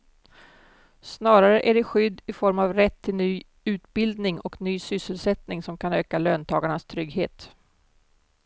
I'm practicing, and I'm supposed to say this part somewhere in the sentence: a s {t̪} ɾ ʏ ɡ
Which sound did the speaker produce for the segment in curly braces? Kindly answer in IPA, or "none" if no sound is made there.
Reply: t̪ʰ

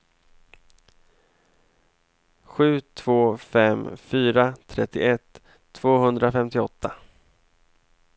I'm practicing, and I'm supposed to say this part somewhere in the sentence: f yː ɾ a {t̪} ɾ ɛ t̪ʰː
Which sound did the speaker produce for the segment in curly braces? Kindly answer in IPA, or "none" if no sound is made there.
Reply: t̪ʰ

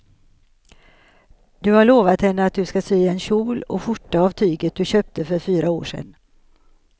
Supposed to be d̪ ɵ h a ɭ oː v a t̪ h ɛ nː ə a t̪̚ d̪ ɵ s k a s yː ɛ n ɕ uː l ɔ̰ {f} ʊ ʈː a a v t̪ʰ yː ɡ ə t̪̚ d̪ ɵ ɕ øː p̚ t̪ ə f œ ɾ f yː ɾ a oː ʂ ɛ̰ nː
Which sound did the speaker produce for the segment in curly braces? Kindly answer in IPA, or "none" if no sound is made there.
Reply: f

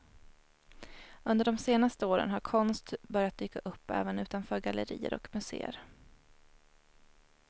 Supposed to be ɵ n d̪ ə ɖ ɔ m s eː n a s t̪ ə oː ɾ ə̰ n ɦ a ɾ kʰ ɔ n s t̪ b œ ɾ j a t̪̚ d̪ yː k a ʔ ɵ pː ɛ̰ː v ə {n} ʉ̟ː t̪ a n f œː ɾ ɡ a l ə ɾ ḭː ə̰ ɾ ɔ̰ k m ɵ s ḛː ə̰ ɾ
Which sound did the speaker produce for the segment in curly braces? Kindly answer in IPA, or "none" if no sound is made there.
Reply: n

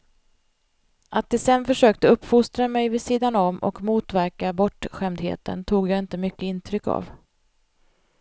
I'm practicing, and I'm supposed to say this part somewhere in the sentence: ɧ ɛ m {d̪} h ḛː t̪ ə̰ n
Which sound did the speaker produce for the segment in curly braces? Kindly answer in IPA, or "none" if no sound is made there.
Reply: d̪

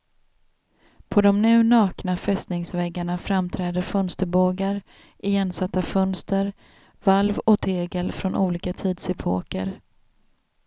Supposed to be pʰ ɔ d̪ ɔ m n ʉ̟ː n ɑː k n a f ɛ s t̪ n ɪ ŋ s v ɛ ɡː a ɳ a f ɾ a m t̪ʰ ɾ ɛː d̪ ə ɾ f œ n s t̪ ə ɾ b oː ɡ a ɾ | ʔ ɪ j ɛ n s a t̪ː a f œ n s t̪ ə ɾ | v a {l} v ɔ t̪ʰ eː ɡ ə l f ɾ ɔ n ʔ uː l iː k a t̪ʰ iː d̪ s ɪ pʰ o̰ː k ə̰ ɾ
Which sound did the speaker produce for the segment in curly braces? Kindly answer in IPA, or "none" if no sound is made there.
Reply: l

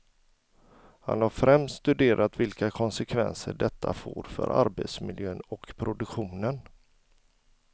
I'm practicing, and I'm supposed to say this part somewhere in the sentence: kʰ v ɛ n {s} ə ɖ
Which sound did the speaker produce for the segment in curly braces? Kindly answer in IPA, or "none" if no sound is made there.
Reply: s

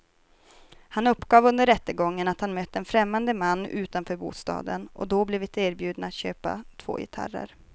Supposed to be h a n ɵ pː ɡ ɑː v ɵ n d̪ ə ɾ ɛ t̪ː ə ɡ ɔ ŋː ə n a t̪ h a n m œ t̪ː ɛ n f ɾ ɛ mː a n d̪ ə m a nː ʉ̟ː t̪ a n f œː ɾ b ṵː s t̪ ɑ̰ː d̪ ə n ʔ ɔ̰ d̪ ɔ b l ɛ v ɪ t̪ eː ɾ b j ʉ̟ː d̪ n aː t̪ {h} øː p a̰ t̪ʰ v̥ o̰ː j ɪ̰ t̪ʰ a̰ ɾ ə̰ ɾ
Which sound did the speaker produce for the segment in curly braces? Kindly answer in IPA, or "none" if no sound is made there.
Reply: ɕ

